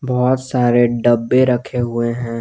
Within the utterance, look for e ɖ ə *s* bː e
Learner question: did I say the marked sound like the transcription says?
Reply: no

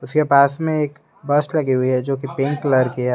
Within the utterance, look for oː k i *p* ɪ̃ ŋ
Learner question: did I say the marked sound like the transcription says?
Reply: yes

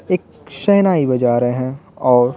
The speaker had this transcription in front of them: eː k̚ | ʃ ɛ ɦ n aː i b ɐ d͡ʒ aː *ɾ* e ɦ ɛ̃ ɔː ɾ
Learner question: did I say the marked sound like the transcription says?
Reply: yes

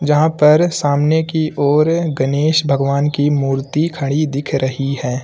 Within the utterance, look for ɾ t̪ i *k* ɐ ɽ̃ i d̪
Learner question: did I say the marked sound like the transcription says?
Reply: no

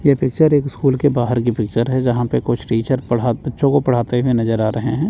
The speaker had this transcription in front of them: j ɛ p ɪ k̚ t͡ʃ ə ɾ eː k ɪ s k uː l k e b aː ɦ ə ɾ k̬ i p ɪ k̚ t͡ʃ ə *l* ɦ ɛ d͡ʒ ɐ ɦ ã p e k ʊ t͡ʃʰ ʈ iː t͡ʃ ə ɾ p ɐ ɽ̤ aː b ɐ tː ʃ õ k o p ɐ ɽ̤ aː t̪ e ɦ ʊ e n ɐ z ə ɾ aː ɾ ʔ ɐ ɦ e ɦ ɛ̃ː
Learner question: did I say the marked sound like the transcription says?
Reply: no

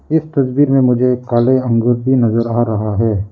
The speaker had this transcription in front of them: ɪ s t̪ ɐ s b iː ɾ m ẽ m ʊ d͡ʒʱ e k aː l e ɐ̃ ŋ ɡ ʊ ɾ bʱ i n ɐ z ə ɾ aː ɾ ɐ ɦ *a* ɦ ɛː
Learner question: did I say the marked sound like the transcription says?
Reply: yes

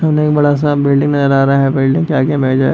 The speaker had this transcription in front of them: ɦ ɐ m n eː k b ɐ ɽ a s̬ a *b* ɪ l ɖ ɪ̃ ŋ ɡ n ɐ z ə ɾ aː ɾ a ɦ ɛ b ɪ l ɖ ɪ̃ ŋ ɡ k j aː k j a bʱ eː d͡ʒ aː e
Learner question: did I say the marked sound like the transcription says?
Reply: yes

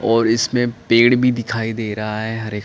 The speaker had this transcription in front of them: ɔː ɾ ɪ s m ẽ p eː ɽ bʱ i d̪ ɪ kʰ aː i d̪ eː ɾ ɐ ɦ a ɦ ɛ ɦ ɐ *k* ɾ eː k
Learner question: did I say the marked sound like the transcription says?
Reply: no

